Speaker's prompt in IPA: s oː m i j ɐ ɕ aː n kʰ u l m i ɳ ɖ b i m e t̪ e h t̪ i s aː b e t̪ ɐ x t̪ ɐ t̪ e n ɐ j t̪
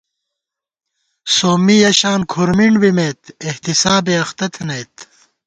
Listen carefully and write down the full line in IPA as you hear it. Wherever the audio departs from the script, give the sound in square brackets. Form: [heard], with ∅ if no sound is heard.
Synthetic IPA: s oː m i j ɐ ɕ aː n kʰ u [ɾ] m i ɳ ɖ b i m e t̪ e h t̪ i s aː b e [∅] ɐ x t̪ ɐ [t̪ʰ] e n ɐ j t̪